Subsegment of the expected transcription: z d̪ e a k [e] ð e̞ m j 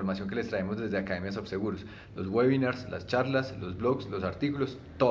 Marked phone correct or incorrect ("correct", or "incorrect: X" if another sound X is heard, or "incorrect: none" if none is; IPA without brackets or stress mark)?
incorrect: a